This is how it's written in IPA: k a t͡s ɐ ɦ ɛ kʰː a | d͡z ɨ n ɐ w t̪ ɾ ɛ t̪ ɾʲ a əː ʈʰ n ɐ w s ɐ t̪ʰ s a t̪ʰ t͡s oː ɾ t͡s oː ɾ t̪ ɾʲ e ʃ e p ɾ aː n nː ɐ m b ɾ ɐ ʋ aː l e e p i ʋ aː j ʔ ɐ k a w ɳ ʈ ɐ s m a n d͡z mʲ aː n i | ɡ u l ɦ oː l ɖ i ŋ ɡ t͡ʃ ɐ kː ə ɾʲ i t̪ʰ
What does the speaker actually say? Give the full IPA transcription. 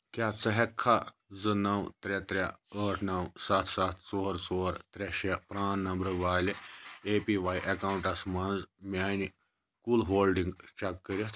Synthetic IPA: k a t͡s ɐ ɦ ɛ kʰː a | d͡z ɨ n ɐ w t̪ ɾ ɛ t̪ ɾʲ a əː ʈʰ n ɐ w s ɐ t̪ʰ s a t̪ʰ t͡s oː ɾ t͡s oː ɾ t̪ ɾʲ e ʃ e p ɾ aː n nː ɐ m b ɾ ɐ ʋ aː l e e p i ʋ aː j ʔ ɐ k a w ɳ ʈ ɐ s m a n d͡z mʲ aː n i | k u l ɦ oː l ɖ i ŋ ɡ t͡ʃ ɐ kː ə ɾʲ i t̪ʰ

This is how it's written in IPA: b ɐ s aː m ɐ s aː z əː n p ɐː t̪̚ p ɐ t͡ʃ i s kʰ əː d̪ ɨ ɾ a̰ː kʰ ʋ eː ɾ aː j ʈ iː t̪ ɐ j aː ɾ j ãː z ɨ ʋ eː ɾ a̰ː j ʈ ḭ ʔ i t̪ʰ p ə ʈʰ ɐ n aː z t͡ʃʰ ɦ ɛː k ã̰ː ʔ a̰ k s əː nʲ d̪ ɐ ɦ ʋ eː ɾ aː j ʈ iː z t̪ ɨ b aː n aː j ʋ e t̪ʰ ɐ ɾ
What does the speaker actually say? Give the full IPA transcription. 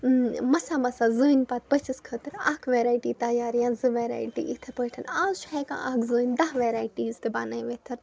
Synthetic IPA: m ɐ s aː m ɐ s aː z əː n p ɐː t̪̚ p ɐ t͡ʃ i s kʰ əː t̪ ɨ ɾ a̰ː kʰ ʋ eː ɾ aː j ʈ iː t̪ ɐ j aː ɾ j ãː z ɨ ʋ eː ɾ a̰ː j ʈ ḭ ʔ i t̪ʰ p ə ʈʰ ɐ n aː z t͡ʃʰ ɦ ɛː k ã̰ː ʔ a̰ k z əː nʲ d̪ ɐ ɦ ʋ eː ɾ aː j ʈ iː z t̪ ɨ b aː n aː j ʋ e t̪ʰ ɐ ɾ

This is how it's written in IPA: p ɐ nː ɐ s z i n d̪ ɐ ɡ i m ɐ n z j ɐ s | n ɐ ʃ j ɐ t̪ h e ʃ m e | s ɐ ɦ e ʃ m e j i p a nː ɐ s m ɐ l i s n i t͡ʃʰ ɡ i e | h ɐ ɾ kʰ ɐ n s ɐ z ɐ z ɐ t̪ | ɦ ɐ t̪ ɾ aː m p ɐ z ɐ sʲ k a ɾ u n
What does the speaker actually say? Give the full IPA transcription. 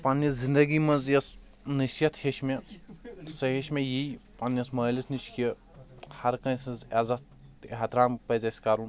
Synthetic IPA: p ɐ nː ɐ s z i n d̪ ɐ ɡ i m ɐ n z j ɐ s | n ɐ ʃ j ɐ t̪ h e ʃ m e | s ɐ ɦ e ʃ m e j i p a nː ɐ s m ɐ l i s n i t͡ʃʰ k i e | h ɐ ɾ k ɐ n s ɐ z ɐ z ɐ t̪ | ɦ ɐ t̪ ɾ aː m p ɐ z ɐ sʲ k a ɾ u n

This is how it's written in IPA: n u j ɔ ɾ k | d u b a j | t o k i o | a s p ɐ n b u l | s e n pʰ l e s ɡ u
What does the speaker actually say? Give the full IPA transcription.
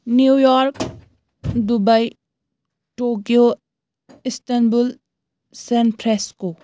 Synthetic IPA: n u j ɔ ɾ k | d u b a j | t o k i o | i s t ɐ n b u l | s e n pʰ ɾ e s k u

